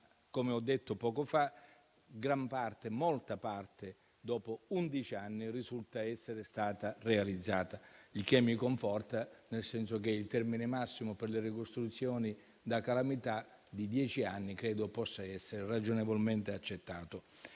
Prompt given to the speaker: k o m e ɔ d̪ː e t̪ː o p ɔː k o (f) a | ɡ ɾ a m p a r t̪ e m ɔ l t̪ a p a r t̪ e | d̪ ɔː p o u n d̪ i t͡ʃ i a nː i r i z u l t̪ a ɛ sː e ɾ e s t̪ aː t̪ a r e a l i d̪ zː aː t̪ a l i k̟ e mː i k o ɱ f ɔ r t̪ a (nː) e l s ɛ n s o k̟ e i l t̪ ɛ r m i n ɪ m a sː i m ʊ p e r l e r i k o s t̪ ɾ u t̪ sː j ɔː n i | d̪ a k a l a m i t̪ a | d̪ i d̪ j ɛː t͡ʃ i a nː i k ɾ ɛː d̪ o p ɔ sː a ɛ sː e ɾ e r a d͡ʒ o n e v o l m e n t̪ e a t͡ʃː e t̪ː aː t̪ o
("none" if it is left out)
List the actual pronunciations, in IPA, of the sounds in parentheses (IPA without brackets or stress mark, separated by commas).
f, n